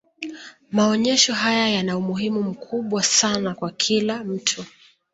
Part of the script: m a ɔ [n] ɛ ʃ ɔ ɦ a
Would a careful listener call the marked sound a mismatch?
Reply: yes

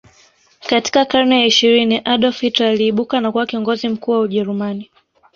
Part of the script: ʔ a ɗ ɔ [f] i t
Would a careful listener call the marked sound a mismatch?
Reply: no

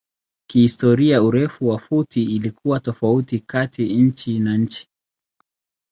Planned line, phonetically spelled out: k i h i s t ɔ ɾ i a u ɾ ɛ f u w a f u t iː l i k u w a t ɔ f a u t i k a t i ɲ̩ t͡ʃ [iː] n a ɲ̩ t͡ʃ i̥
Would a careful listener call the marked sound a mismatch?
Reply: yes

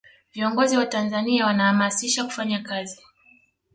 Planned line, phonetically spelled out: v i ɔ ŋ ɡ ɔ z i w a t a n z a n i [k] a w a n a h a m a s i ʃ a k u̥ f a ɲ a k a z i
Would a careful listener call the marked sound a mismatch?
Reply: yes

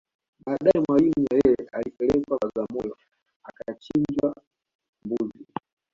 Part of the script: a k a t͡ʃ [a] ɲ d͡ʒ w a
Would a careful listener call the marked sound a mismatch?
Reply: yes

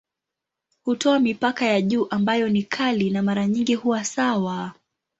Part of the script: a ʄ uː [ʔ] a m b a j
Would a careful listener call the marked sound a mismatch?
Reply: no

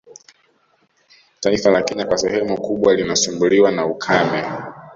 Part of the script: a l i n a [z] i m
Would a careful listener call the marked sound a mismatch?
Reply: yes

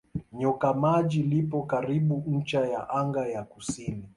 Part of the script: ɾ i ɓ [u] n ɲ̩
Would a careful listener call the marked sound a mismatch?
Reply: no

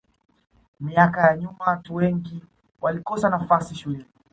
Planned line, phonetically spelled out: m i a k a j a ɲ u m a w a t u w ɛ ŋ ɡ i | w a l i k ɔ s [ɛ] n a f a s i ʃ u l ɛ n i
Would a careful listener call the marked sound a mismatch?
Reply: yes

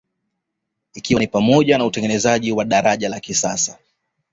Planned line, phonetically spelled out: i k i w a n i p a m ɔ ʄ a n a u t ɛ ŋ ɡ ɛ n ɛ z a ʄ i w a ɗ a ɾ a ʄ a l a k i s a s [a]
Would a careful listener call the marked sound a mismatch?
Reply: no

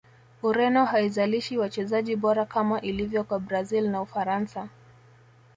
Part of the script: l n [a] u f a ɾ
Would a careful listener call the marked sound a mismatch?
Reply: no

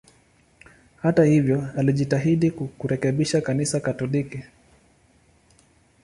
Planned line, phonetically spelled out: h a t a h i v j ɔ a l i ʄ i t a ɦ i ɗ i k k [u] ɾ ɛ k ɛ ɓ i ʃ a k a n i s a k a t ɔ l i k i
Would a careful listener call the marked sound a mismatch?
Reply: no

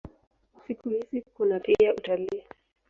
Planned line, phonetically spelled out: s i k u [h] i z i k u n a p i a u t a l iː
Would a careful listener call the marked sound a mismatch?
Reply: no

